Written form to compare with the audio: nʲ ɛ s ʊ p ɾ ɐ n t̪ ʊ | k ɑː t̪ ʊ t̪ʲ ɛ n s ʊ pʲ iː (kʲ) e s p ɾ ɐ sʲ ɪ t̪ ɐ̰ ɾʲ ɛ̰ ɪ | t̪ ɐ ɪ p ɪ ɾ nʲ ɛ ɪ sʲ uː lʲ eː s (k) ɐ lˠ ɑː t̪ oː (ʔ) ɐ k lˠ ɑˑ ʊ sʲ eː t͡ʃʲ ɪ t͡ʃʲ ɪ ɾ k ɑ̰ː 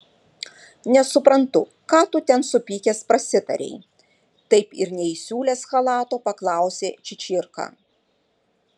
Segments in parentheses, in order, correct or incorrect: correct, incorrect: x, incorrect: p

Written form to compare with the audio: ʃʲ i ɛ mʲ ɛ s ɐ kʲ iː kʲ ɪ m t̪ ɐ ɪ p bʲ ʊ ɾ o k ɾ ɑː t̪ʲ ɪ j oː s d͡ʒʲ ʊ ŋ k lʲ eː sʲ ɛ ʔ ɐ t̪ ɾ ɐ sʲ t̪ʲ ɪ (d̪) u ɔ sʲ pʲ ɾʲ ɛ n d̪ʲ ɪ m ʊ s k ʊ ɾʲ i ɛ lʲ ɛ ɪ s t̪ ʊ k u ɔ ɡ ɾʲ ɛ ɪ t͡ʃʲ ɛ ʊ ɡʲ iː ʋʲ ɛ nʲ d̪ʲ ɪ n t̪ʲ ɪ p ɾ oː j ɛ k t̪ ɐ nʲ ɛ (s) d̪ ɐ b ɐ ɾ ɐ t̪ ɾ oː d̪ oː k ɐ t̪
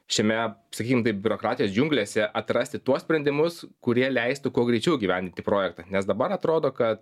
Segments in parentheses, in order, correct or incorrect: incorrect: t̪, correct

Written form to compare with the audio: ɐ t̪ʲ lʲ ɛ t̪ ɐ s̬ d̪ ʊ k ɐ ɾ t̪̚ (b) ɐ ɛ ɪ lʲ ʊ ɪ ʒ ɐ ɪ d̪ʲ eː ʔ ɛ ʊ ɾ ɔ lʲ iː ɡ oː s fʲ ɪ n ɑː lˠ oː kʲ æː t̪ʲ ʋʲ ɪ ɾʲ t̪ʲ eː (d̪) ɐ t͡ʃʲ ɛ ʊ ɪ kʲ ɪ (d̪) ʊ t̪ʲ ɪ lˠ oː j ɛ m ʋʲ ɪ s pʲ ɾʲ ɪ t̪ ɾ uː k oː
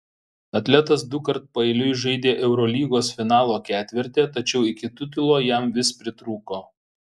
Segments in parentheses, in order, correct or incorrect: incorrect: p, incorrect: t̪, incorrect: t̪

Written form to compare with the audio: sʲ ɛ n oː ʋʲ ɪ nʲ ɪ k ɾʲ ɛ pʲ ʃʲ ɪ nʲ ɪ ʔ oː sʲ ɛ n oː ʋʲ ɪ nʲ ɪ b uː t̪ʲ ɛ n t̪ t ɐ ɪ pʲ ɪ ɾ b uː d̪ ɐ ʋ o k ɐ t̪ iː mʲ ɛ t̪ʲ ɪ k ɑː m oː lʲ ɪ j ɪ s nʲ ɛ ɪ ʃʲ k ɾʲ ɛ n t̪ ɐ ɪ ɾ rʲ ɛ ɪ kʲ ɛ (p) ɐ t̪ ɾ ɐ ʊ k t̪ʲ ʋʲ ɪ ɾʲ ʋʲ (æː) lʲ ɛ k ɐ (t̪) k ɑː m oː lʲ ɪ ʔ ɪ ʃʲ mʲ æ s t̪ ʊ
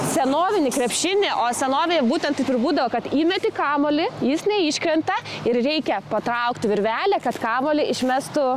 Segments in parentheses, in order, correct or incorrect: correct, correct, correct

